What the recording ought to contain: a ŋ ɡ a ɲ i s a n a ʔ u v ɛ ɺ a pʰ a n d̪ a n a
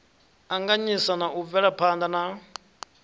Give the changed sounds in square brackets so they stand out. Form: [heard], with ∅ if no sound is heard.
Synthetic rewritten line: a ŋ ɡ a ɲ i s a n a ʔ u v ɛ ɺ a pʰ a n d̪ a n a